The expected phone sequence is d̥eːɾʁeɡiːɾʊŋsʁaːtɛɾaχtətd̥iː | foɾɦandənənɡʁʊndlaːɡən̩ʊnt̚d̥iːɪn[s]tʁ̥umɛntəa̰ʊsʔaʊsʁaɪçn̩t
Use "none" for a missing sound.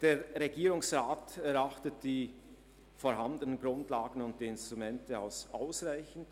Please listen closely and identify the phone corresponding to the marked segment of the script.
s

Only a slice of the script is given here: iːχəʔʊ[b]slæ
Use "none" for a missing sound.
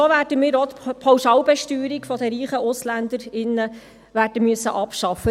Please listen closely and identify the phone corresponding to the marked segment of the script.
none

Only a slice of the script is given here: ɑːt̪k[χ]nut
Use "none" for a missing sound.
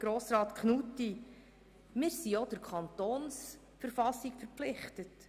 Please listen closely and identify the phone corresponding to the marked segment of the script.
χ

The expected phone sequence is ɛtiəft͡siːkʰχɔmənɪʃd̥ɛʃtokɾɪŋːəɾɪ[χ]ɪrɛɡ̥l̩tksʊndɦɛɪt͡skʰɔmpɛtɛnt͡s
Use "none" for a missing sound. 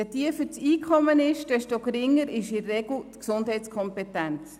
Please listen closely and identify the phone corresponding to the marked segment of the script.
ʃ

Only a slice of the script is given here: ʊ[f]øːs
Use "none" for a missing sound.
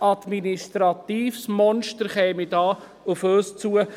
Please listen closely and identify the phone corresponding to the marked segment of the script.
f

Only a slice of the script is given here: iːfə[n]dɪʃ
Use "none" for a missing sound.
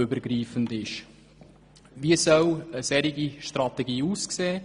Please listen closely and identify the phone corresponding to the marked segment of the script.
n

